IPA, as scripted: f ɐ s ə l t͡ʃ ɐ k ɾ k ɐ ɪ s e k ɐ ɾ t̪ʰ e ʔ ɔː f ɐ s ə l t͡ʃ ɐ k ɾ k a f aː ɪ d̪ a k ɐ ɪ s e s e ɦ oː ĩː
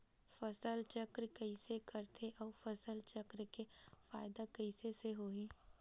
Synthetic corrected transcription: f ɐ s ə l t͡ʃ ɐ k ɾ k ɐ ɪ s e k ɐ ɾ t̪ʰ e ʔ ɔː f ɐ s ə l t͡ʃ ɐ k ɾ k e f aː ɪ d̪ a k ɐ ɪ s e s e ɦ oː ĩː